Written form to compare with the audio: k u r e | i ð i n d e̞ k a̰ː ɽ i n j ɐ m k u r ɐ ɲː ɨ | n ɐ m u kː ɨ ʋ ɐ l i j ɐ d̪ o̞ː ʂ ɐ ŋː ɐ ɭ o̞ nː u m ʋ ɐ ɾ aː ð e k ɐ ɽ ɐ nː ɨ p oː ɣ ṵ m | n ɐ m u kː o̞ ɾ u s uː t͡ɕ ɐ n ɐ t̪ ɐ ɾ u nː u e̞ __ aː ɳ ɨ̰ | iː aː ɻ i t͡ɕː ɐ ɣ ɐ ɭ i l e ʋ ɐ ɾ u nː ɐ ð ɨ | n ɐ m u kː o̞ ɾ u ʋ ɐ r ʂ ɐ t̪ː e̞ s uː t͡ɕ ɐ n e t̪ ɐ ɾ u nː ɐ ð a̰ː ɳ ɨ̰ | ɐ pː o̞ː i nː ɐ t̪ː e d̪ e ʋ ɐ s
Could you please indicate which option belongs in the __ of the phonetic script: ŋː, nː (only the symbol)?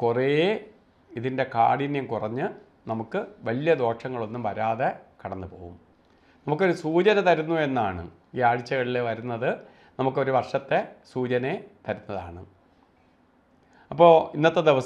nː